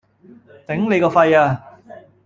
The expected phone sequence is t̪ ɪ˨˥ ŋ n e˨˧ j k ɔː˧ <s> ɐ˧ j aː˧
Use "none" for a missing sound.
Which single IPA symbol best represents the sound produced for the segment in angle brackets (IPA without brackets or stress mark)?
f